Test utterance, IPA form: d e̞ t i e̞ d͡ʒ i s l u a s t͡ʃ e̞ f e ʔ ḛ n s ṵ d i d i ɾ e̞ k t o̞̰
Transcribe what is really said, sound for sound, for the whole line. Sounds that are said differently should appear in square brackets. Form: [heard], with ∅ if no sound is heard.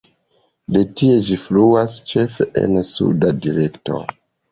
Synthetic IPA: d e̞ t i e̞ d͡ʒ i [f] l u a s t͡ʃ e̞ f e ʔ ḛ n s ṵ d [a] d i ɾ e̞ k t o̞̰